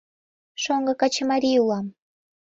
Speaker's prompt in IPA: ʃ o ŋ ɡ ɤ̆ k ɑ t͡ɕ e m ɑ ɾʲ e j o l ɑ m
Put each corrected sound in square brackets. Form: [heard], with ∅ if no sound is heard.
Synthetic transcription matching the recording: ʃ o ŋ ɡ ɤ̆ k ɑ t͡ɕ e m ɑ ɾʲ [i] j [u] l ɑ m